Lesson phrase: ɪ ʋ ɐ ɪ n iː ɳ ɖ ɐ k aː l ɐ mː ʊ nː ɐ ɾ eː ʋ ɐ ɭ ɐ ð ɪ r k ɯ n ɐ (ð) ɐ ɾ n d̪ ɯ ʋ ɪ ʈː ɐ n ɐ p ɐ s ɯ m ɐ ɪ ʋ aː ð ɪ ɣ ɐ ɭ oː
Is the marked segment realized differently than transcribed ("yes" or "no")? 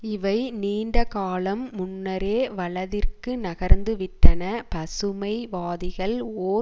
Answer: yes